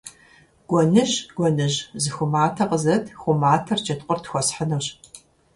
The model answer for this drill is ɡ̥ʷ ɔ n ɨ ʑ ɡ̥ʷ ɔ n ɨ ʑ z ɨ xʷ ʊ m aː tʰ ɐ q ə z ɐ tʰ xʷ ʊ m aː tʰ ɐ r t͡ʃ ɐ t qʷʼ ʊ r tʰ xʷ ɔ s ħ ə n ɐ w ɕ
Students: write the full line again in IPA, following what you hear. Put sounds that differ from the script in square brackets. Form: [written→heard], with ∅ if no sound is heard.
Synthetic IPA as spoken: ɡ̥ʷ ɔ n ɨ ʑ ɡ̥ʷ ɔ n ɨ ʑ z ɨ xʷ ʊ m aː tʰ ɐ q ə z ɐ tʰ xʷ ʊ m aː tʰ ɐ r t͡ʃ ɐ t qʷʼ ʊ r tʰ xʷ ɔ s ħ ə n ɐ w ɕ